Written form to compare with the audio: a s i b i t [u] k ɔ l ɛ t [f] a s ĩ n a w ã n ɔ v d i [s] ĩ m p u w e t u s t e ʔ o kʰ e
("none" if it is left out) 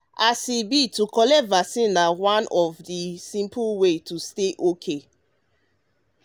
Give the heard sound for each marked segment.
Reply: u, v, s

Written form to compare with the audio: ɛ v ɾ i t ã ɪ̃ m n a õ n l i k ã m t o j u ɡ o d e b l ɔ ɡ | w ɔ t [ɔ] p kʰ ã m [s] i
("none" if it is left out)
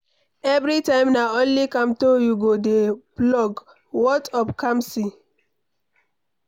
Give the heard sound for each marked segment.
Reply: ɔ, s

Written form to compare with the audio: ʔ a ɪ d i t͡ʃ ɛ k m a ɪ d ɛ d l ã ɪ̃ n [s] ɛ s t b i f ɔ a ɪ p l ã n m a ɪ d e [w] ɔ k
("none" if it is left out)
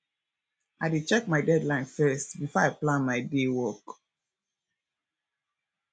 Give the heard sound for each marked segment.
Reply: f, w

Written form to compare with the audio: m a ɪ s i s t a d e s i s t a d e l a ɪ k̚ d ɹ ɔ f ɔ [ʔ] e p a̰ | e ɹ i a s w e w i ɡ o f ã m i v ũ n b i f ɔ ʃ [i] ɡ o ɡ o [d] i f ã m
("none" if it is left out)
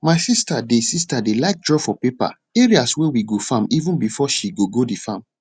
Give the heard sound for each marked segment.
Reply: p, i, d

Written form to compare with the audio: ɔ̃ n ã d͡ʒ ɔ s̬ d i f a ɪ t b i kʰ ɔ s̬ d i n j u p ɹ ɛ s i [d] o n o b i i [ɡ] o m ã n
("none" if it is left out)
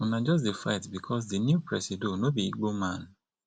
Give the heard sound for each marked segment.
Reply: d, ɡ͡b

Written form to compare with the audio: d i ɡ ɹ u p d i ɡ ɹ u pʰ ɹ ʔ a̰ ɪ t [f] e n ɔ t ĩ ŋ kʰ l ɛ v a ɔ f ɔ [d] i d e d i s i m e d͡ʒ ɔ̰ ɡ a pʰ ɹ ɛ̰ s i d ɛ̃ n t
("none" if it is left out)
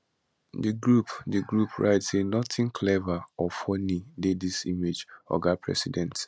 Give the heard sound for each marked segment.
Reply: s, n

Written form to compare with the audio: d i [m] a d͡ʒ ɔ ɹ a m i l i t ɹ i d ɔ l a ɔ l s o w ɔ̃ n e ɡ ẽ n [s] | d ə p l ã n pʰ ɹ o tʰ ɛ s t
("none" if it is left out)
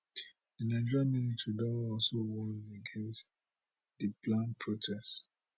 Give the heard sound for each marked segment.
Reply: n, s

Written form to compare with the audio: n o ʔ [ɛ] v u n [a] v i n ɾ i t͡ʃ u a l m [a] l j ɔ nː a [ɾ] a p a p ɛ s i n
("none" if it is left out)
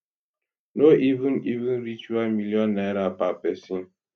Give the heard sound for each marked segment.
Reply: i, i, i, ɾ

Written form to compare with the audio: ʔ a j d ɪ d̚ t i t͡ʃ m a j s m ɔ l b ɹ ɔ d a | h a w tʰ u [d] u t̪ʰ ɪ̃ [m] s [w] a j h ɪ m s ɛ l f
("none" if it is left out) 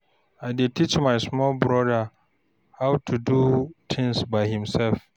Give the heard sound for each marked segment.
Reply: d, ŋ, b

